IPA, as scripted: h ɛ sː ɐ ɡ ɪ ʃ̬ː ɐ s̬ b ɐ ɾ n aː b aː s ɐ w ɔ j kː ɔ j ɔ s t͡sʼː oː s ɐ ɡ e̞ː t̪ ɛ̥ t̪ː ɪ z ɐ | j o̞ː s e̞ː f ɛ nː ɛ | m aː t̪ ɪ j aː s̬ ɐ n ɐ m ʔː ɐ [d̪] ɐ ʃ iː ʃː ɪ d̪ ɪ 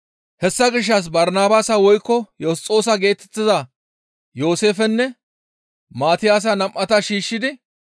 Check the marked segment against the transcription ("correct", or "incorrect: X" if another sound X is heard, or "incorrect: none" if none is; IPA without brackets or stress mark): incorrect: t̪